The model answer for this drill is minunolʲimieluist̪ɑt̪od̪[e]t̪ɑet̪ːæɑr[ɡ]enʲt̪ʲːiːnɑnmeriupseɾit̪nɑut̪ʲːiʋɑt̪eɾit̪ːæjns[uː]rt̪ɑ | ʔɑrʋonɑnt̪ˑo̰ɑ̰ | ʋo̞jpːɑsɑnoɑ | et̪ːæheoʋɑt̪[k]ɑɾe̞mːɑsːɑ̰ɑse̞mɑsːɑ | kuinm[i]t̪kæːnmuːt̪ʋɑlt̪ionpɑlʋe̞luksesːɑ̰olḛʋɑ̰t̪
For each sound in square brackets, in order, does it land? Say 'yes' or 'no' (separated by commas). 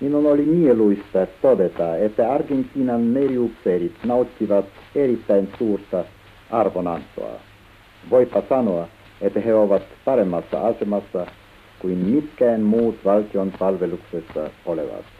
yes, yes, yes, no, yes